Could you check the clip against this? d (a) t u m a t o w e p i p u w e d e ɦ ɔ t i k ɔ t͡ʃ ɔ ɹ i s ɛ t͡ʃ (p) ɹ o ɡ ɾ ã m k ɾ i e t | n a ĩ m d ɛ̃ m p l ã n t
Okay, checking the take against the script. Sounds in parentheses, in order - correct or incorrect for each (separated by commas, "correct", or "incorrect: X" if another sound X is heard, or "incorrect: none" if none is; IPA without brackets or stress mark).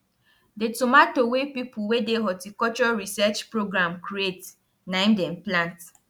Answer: incorrect: e, correct